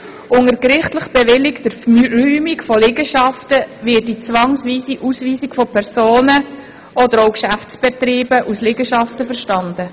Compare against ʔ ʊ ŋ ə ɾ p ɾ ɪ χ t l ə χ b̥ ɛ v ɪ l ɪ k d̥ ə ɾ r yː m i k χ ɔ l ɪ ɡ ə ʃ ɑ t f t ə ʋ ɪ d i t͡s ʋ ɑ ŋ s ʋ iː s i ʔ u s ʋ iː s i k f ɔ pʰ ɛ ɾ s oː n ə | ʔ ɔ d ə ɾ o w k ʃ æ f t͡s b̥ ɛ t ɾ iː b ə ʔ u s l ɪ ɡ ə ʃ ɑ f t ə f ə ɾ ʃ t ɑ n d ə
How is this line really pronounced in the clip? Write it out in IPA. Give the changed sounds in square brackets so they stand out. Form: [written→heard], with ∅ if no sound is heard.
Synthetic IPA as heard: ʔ ʊ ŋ ə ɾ [p→k] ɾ ɪ χ t l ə χ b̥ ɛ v ɪ l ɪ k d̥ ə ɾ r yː m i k [χ→f] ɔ l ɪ ɡ ə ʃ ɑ [t→∅] f t ə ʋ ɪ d i t͡s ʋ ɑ ŋ s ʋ iː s i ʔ u s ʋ iː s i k f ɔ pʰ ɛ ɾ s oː n ə | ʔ ɔ d ə ɾ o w k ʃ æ f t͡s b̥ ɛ t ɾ iː b ə ʔ u s l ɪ ɡ ə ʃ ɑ f t ə f ə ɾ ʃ t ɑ n d ə